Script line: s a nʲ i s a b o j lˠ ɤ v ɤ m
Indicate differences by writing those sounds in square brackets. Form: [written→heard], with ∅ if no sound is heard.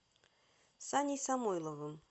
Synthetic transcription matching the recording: s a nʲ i s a [b→m] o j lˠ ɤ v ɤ m